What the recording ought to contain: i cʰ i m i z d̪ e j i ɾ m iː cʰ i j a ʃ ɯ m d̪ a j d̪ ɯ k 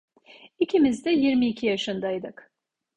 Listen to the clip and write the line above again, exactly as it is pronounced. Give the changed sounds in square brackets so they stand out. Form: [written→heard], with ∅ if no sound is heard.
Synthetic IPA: i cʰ i m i z d̪ [e→ɛ] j i ɾ m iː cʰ i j a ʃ ɯ [m→n] d̪ a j d̪ ɯ k